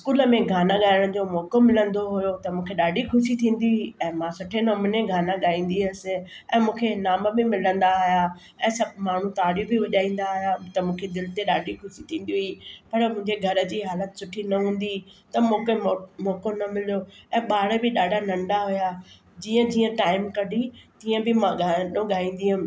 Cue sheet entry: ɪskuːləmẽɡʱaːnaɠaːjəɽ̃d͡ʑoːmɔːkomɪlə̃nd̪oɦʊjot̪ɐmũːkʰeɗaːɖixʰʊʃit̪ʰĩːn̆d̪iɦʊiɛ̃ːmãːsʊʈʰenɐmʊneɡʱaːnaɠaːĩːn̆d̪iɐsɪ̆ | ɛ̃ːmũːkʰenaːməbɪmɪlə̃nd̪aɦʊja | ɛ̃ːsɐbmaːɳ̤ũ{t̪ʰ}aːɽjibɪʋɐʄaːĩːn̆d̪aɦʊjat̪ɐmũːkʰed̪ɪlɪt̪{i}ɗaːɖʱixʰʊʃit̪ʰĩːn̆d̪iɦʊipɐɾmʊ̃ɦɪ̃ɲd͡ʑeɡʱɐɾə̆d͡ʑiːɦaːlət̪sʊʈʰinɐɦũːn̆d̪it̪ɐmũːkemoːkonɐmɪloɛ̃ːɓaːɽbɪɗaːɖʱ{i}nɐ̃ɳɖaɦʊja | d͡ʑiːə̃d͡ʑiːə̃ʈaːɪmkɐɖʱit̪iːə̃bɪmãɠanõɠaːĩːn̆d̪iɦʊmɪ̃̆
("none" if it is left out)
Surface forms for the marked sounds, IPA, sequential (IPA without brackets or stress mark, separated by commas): t̪, e, a